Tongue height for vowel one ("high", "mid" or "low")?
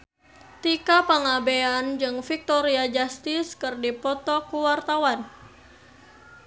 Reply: high